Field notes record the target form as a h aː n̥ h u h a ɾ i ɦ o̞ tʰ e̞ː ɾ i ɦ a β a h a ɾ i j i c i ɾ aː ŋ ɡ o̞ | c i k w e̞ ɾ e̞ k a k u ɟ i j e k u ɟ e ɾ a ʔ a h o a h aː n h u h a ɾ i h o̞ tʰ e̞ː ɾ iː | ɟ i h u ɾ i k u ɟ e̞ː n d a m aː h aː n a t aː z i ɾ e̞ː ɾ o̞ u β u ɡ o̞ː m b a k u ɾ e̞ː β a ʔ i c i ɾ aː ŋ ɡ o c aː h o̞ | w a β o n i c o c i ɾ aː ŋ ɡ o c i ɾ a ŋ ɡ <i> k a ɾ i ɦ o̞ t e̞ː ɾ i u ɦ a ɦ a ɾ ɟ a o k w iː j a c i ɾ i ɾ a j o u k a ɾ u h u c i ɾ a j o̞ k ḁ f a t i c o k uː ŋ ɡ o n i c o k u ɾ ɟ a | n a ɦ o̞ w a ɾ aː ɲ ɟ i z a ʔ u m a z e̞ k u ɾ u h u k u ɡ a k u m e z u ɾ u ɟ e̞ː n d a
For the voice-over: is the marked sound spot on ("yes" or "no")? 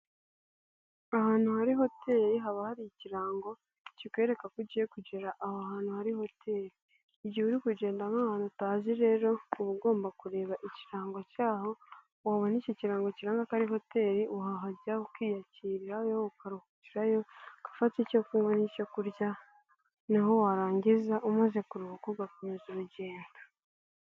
no